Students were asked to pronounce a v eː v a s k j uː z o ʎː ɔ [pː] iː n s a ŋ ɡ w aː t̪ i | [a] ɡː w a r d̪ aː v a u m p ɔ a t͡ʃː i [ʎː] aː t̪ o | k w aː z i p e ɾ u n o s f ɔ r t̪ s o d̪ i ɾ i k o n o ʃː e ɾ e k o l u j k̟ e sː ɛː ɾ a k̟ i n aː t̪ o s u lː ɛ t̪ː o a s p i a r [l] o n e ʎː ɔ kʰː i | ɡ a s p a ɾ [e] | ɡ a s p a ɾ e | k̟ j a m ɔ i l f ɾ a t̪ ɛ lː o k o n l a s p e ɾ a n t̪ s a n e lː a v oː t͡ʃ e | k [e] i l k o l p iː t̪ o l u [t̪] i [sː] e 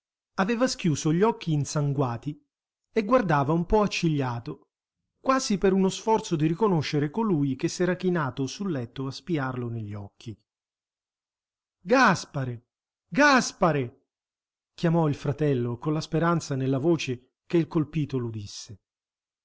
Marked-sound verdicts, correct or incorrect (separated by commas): incorrect, incorrect, correct, correct, correct, correct, incorrect, correct